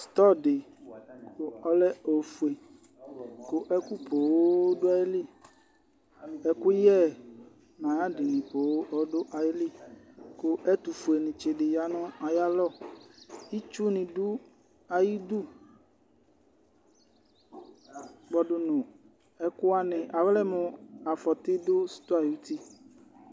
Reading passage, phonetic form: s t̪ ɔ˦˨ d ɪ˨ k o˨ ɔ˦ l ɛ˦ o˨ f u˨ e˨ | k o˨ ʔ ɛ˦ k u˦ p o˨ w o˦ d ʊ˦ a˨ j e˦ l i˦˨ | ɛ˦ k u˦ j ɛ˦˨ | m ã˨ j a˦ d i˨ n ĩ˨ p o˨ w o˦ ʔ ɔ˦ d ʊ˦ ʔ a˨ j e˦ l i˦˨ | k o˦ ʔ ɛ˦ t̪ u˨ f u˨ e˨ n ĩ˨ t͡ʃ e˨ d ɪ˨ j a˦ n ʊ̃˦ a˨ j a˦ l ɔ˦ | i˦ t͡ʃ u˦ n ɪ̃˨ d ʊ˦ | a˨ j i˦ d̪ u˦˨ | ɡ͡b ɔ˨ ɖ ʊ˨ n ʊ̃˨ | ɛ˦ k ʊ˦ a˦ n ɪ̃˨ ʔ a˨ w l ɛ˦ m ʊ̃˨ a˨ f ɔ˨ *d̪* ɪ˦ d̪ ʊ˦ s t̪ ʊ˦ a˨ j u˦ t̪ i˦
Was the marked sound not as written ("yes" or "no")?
yes